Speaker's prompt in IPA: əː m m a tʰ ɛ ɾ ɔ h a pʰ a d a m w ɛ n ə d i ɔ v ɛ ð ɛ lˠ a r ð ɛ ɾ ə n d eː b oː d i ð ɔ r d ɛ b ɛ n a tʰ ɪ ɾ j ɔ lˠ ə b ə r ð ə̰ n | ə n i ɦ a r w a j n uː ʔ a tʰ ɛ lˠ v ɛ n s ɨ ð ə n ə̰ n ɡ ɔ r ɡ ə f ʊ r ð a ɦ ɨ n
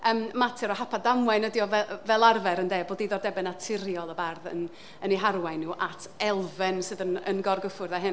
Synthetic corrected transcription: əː m m a tʰ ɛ ɾ ɔ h a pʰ a d a m w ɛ n ə d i ɔ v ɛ v ɛ lˠ a r v ɛ ɾ ə n d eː b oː d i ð ɔ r d ɛ b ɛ n a tʰ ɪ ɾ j ɔ lˠ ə b a r ð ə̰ n | ə n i ɦ a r w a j n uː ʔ a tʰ ɛ lˠ v ɛ n s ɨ ð ə n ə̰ n ɡ ɔ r ɡ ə f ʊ r ð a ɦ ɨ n